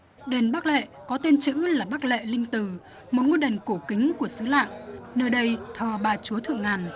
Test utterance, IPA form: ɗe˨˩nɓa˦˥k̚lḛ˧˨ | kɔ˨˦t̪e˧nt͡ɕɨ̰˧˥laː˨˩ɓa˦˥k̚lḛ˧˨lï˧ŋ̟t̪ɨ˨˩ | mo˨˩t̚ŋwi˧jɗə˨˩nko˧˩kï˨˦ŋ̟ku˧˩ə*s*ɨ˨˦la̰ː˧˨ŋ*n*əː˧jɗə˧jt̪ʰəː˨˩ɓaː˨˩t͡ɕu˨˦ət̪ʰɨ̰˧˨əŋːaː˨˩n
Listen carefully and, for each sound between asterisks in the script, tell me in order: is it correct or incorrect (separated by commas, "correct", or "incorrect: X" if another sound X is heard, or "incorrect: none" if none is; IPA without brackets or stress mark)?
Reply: correct, correct